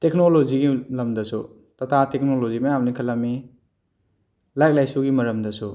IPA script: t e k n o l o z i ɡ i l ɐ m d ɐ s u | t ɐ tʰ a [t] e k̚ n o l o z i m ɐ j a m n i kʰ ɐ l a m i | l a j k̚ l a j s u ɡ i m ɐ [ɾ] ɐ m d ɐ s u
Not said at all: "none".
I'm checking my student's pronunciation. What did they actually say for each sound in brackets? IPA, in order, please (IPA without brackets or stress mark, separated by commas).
t, ɾ